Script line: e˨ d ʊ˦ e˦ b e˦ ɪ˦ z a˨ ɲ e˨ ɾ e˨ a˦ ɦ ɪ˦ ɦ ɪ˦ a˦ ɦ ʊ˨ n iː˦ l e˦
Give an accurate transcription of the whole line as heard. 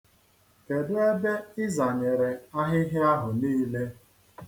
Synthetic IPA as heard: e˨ d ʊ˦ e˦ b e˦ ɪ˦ z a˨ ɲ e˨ ɾ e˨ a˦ ɦ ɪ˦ ɦ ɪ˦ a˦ ɦ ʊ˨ n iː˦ l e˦